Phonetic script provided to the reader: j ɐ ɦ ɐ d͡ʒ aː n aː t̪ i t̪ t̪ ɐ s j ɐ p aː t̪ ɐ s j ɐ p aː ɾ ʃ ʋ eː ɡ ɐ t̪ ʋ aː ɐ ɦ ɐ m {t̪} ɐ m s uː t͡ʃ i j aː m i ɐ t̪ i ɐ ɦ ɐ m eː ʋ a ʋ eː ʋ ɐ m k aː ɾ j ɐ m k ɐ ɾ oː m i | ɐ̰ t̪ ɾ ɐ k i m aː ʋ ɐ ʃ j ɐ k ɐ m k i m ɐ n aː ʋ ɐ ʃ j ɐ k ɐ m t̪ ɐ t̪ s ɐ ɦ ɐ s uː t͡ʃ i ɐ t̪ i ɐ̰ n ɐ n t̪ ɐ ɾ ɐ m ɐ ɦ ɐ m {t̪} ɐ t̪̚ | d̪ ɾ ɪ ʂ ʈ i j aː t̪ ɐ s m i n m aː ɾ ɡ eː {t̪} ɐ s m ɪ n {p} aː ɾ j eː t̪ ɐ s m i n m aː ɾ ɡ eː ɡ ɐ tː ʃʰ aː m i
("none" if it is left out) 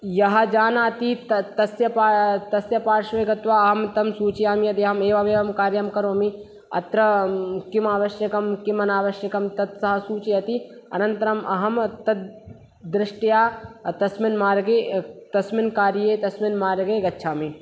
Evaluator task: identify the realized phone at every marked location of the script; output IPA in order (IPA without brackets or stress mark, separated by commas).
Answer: t̪, t̪, t̪, k